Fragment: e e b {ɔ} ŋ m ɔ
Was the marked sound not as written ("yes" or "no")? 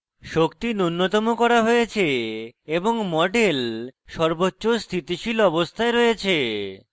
yes